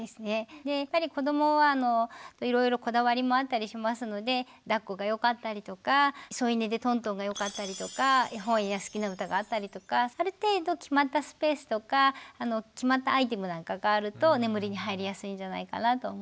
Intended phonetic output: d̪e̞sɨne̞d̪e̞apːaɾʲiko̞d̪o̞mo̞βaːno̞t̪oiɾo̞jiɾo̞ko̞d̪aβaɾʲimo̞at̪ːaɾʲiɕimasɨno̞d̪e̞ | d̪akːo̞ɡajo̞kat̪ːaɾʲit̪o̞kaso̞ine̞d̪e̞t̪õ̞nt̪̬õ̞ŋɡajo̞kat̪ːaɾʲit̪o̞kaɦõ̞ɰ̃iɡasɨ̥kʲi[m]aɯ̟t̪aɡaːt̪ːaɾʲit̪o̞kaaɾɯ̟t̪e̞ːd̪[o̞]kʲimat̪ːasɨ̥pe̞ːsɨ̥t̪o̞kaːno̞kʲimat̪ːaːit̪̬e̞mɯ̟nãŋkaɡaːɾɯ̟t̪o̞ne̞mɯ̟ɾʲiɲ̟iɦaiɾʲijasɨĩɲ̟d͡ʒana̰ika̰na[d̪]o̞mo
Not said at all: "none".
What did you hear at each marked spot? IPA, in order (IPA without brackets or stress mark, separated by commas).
n, o̞, t̪